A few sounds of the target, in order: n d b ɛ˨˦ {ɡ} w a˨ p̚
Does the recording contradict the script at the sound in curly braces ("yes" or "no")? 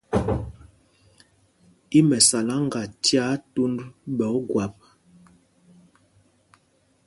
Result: no